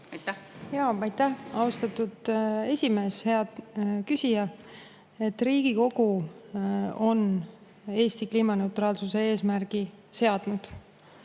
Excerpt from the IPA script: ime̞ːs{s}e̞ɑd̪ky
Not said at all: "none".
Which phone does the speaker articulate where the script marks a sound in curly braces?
h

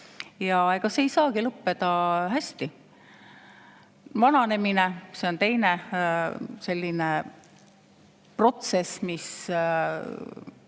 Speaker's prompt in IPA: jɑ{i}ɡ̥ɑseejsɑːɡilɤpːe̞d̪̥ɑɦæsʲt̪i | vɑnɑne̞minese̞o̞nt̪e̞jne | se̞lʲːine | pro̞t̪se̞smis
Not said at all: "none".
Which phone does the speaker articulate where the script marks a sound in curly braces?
e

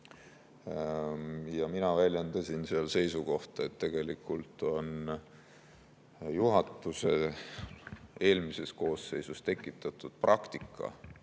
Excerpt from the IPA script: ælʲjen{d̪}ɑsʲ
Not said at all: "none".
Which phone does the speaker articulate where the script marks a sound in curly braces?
d̪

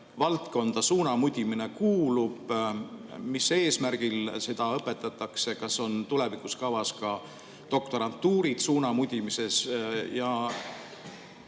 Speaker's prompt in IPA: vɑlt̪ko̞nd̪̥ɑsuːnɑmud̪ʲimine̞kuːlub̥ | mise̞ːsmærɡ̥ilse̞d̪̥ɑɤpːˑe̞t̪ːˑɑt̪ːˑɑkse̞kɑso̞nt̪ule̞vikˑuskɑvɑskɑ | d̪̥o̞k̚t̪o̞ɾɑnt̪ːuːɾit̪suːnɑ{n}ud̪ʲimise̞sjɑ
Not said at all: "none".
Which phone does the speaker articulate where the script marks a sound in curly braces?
m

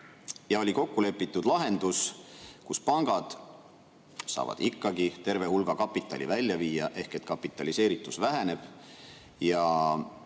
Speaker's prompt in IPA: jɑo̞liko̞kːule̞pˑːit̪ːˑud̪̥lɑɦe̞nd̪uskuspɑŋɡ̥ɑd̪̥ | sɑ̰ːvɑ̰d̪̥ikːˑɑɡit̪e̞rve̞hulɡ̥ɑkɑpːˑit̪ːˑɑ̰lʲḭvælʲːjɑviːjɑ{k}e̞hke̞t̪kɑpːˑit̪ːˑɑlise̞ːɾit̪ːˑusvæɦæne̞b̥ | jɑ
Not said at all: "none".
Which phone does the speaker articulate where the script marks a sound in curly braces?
ʔ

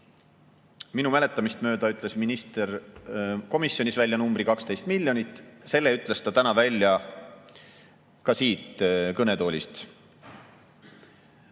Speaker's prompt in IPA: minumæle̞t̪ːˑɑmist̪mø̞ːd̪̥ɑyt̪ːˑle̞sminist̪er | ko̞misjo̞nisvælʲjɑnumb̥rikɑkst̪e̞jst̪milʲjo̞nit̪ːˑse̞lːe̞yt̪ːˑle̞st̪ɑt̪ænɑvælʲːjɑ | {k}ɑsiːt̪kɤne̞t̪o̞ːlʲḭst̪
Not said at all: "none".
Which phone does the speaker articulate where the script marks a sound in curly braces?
k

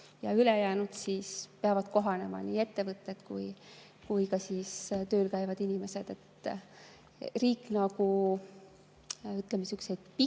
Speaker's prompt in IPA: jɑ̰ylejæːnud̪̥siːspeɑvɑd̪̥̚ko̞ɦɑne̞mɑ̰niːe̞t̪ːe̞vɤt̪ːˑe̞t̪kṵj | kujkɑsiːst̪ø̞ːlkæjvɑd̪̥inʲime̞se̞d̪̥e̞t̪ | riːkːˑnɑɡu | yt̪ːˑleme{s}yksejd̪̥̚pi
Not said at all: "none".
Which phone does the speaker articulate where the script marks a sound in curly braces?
s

